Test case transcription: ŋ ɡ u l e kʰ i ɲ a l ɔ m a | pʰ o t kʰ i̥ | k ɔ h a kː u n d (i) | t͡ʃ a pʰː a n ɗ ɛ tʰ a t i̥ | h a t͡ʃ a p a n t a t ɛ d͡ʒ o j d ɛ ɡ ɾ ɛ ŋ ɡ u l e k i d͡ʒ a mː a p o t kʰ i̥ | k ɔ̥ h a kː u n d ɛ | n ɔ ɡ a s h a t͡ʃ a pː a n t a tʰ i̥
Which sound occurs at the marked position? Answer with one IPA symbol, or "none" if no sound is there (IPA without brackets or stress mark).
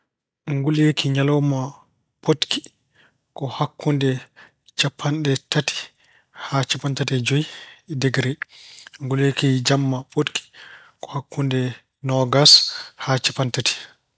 ɛ